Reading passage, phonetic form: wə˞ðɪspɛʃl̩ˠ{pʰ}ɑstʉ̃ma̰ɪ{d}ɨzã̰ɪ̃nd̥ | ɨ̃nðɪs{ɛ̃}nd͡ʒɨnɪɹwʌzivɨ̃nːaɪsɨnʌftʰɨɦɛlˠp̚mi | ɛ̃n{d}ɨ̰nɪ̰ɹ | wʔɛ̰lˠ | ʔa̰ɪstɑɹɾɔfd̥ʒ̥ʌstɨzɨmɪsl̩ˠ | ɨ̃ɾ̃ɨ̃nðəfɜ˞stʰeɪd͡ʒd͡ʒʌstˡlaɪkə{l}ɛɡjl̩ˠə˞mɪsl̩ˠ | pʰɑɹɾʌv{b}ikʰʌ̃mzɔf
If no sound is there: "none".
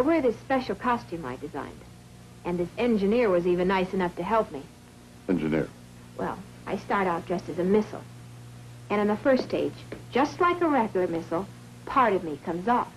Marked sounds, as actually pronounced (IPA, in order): kʰ, d, ɛ̃, d͡ʒ, ɹ, m

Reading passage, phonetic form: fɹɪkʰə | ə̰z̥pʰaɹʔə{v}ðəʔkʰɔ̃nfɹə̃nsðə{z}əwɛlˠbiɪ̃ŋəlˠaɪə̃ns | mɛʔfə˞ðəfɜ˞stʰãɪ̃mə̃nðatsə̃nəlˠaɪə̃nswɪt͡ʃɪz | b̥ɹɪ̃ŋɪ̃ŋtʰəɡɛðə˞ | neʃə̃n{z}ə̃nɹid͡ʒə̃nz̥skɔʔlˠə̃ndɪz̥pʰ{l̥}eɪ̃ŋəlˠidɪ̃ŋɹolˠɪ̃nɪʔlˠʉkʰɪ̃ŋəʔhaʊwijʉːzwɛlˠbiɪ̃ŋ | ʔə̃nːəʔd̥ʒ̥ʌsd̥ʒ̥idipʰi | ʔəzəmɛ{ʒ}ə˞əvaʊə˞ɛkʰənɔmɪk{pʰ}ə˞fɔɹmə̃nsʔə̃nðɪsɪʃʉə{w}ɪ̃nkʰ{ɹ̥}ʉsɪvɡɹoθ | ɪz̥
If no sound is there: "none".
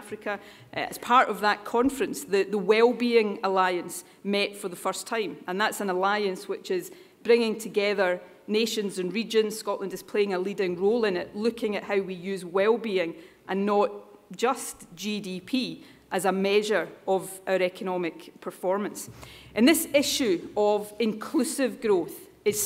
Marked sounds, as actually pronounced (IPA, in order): v, ð, z, l̥, ʒ, pʰ, v, l̥

